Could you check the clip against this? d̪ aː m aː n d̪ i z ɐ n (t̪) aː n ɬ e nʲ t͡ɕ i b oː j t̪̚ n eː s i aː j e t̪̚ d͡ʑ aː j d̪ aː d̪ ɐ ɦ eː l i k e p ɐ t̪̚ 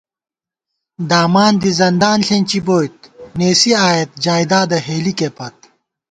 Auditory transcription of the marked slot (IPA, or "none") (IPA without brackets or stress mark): d̪